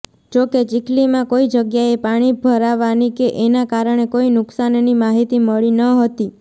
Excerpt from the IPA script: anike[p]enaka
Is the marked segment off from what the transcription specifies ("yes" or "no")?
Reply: yes